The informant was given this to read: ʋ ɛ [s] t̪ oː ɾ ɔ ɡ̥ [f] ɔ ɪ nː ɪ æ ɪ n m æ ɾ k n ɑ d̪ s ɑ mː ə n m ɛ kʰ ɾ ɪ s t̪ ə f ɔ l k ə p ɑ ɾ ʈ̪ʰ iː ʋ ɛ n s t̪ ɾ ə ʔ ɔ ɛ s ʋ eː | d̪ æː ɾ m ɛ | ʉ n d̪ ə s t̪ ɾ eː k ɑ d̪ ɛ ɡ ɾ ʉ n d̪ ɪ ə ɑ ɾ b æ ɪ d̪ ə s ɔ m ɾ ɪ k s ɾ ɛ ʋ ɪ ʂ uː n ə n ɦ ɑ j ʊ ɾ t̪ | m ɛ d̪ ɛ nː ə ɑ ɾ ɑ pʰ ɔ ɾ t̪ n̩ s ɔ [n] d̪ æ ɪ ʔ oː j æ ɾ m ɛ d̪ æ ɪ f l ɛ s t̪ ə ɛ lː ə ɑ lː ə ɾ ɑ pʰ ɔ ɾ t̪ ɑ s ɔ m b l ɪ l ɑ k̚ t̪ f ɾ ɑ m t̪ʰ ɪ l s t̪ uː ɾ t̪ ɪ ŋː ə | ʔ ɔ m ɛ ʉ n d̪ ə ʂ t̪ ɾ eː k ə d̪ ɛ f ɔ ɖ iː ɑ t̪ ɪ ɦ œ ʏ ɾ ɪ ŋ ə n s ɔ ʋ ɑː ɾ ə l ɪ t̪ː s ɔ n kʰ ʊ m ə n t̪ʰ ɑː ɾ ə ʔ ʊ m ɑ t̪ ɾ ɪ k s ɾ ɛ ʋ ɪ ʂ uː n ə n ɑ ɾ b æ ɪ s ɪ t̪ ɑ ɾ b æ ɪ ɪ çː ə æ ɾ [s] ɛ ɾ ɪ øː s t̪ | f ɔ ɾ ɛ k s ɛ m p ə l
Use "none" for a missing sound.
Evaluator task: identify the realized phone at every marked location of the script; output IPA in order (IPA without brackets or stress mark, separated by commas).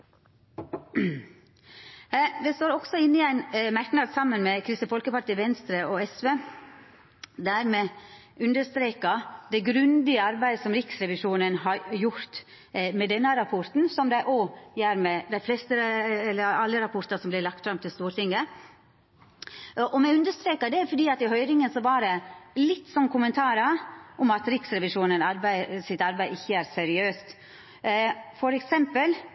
s, s, m, s